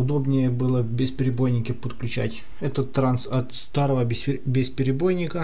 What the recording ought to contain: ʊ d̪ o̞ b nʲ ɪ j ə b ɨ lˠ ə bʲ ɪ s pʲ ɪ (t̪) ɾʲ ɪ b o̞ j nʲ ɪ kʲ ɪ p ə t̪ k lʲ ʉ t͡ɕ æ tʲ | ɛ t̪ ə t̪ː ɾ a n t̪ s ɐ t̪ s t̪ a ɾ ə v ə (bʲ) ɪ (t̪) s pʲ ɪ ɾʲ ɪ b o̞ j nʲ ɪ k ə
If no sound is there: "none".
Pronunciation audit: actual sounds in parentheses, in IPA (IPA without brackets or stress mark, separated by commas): none, bʲ, none